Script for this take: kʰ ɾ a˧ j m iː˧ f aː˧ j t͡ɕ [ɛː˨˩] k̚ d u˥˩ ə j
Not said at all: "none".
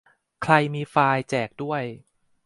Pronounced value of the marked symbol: ɛː˨˩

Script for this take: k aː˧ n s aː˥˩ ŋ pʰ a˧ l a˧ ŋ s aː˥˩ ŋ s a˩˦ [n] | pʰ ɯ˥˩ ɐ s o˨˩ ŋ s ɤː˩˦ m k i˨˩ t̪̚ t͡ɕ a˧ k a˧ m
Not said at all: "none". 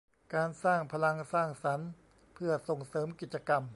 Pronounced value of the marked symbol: n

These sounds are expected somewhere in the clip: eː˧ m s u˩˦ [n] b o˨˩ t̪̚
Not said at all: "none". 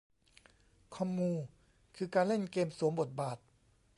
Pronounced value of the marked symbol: m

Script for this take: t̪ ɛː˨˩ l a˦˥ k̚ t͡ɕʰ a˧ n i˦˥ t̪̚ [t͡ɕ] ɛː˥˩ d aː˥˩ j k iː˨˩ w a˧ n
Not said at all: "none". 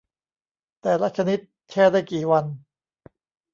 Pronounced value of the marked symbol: t͡ɕʰ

